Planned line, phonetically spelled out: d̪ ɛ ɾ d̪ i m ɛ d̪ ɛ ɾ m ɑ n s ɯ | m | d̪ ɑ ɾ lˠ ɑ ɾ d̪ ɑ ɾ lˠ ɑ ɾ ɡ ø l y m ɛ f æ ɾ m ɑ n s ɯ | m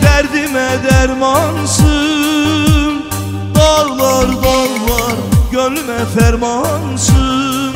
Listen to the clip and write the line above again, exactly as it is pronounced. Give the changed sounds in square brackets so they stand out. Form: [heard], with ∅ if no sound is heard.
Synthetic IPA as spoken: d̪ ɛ ɾ d̪ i m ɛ d̪ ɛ ɾ m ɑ n s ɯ | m | d̪ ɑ ɾ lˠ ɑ ɾ d̪ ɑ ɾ lˠ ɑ ɾ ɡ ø l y m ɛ f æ ɾ m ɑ n s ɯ | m